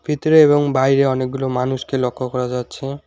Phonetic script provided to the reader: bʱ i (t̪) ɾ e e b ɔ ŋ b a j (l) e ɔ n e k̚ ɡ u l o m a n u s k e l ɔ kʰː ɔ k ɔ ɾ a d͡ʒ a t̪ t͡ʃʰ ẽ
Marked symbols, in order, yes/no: yes, no

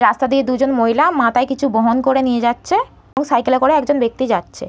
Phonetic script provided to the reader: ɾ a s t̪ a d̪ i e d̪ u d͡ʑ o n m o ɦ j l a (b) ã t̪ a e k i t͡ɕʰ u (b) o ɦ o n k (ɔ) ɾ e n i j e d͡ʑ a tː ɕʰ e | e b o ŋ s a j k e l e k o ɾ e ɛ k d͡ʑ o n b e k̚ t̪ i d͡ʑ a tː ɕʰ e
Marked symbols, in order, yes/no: no, yes, no

